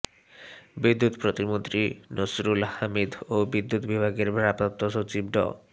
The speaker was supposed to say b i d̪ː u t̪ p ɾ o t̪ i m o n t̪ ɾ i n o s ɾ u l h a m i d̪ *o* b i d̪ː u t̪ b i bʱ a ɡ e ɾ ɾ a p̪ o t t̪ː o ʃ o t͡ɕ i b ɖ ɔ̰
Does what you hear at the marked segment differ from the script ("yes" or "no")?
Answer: no